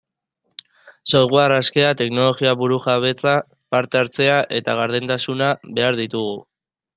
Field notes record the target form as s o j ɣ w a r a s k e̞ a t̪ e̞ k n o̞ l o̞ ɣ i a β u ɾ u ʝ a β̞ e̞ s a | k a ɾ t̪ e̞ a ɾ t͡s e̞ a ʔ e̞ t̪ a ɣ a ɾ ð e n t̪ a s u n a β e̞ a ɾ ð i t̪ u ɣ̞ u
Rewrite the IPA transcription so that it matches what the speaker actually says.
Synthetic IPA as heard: s o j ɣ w a r a s k e̞ a t̪ e̞ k n o̞ l o̞ ɣ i a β u ɾ u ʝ a β̞ e̞ t͡s a | p a ɾ t̪ e̞ a ɾ t͡s e̞ a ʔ e̞ t̪ a ɣ a ɾ ð e n t̪ a s u n a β e̞ a ɾ ð i t̪ u ɣ̞ u

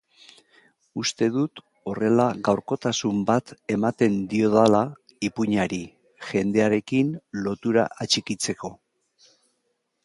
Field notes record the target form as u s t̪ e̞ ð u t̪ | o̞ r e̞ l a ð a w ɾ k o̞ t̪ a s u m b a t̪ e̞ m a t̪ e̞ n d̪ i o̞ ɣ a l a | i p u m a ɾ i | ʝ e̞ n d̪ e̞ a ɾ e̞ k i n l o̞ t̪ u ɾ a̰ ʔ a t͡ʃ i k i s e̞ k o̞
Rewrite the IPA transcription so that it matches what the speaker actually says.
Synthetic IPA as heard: u s t̪ e̞ ð u t̪ | o̞ r e̞ l a ɣ a w ɾ k o̞ t̪ a s u m b a t̪ e̞ m a t̪ e̞ n d̪ i o̞ ð a l a | i p u ɲ a ɾ i | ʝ e̞ n d̪ e̞ a ɾ e̞ k i n l o̞ t̪ u ɾ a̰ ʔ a t͡ʃ i k i t͡s e̞ k o̞

